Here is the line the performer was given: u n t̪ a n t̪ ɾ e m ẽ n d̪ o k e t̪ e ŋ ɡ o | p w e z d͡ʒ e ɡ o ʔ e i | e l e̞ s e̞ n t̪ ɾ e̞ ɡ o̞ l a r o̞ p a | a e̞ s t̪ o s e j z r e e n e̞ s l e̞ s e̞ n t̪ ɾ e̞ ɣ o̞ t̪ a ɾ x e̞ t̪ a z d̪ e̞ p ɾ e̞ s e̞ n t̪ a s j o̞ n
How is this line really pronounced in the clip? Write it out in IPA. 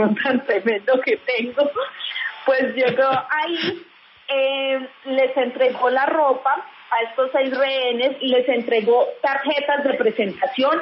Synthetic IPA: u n t̪ a n t̪ ɾ e m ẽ n d̪ o k e t̪ e ŋ ɡ o | p w e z d͡ʒ e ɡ o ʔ a i | e l e̞ s e̞ n t̪ ɾ e̞ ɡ o̞ l a r o̞ p a | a e̞ s t̪ o s e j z r e e n e̞ s l e̞ s e̞ n t̪ ɾ e̞ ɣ o̞ t̪ a ɾ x e̞ t̪ a z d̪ e̞ p ɾ e̞ s e̞ n t̪ a s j o̞ n